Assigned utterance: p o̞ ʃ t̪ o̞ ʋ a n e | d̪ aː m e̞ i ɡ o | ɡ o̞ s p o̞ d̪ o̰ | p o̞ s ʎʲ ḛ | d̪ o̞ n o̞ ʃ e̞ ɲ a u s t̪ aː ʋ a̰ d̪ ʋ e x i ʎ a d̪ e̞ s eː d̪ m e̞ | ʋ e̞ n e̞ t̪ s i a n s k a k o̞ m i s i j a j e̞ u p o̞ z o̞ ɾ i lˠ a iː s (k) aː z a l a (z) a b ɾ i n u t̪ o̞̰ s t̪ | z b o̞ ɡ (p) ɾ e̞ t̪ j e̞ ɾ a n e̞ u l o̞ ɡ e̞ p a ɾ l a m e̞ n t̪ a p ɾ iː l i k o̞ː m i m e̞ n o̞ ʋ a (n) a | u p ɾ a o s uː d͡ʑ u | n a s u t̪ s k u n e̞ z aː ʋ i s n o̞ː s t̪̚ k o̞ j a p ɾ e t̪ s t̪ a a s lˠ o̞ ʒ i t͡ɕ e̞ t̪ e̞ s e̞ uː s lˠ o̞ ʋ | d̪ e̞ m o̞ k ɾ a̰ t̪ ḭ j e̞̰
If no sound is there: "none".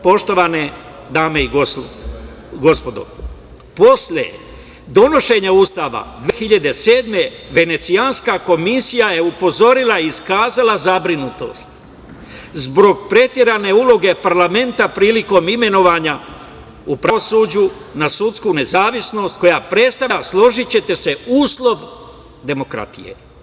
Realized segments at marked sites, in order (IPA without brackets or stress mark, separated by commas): k, z, p, ɲ